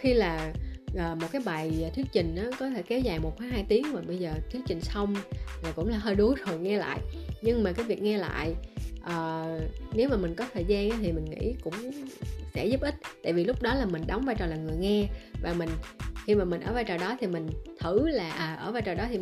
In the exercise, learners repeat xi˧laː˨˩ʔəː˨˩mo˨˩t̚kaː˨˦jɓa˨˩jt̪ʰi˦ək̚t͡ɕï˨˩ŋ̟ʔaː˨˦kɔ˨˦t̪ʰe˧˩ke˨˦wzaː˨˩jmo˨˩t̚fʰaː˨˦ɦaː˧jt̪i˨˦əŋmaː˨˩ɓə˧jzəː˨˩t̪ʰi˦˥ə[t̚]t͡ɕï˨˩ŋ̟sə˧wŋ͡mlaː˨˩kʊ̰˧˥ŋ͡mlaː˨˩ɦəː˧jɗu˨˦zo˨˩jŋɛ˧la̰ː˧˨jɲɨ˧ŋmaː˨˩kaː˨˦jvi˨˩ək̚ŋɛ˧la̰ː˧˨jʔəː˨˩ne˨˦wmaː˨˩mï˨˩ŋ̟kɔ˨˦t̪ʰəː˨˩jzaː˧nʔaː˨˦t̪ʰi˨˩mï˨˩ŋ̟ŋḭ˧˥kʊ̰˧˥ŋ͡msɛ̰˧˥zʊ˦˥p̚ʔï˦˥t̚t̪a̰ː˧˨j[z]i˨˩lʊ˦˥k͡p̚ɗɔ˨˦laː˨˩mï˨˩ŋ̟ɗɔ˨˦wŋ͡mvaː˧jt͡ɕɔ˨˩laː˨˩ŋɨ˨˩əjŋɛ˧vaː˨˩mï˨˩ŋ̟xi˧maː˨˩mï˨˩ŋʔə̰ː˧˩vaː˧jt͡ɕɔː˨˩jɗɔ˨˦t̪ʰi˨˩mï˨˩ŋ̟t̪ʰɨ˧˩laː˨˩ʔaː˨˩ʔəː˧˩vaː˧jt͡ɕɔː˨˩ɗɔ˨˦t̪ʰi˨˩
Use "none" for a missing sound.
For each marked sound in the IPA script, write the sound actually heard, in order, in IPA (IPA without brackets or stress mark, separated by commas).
k̚, v